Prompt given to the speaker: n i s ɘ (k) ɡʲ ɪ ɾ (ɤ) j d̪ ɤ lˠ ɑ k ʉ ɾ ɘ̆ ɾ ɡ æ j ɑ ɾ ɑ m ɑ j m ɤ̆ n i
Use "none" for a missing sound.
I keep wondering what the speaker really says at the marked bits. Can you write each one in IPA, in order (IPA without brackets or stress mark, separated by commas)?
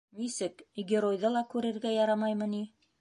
k, o